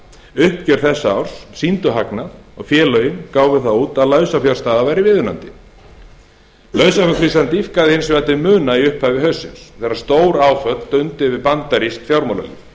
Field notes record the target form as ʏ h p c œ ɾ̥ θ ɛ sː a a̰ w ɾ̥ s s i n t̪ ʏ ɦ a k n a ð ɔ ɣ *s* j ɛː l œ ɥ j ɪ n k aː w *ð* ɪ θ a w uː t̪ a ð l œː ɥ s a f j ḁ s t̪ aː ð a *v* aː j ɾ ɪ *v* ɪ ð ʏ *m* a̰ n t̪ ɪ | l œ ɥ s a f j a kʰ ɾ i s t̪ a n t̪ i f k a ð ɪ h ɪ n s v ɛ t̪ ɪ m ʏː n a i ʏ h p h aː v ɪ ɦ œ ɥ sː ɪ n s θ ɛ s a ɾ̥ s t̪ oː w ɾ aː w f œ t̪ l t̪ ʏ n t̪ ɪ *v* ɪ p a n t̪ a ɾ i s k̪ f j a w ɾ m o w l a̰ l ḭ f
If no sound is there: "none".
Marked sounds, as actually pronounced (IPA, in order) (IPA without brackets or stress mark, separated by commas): f, v, v, v, n, v